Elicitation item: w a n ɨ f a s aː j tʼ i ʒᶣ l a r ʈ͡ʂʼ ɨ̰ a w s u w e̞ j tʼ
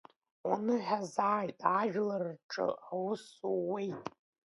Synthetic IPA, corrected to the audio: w a n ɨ ħ a z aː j tʼ a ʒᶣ l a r ʈ͡ʂʼ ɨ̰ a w s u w e̞ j tʼ